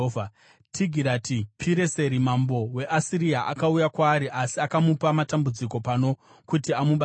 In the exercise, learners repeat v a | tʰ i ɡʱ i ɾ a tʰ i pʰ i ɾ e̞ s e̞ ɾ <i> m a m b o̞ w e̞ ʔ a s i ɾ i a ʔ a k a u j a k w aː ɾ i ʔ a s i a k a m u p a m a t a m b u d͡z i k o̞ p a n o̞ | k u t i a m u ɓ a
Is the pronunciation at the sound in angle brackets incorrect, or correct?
correct